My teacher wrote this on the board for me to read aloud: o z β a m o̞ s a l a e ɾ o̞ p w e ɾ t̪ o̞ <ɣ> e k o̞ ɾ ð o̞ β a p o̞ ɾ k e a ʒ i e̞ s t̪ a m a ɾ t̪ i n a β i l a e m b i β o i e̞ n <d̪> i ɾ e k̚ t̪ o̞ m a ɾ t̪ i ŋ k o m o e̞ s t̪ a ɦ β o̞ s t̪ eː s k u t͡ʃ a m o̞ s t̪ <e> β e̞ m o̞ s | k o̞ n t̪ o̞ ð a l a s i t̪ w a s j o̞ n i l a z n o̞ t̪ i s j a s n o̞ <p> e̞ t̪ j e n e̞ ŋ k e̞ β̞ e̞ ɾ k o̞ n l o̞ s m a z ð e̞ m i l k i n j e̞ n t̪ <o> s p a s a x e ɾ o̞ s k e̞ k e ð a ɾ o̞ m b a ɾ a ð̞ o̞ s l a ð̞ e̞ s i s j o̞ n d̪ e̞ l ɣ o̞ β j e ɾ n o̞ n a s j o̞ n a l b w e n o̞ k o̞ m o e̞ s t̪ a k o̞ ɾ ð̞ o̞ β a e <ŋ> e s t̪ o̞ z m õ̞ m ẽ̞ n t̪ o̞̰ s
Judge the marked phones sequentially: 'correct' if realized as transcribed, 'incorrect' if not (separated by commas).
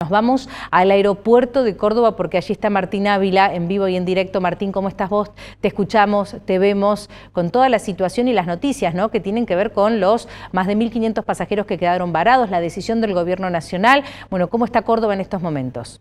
incorrect, correct, correct, incorrect, correct, incorrect